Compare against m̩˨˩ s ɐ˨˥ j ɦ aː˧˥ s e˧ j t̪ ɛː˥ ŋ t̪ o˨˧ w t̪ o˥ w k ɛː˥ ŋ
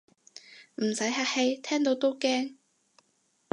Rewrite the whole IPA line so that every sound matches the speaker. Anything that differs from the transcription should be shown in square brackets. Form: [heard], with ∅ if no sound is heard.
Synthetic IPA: m̩˨˩ s ɐ˨˥ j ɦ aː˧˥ [h] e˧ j [t̪ʰ] ɛː˥ ŋ t̪ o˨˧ w t̪ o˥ w k ɛː˥ ŋ